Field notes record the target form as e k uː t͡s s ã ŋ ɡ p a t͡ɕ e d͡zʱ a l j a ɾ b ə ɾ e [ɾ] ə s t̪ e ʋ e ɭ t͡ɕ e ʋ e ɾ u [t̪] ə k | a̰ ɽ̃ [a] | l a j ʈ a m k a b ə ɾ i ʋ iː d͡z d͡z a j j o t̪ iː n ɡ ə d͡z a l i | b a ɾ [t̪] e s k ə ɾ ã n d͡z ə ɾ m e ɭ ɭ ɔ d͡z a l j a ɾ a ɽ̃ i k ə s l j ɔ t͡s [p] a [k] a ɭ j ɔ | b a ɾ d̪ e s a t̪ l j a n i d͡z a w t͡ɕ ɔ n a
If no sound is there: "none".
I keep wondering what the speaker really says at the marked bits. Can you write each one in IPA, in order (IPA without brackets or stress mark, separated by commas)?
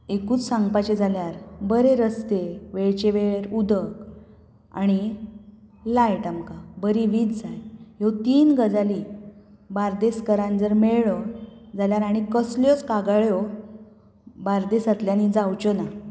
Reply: ɾ, d̪, i, d̪, k, ɡ